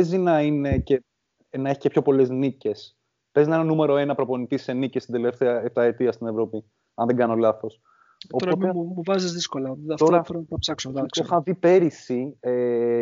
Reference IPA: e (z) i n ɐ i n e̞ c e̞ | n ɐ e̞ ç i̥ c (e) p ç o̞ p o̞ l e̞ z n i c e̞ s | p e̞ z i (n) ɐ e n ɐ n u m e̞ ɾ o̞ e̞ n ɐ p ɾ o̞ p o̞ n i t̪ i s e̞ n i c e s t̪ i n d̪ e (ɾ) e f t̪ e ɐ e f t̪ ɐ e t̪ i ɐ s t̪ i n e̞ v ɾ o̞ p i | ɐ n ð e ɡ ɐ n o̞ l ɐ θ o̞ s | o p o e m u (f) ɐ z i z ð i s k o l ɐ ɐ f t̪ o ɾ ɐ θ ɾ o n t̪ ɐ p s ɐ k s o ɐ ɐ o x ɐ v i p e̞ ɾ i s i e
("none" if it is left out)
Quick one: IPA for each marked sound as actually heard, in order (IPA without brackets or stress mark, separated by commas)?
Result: z, e, n, l, v